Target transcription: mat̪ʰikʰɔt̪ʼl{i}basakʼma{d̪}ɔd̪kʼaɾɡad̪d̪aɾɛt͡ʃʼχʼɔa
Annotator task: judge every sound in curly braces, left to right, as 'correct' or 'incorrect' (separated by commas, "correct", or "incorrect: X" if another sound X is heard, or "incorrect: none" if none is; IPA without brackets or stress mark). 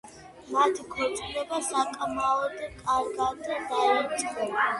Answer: incorrect: ɛ, incorrect: none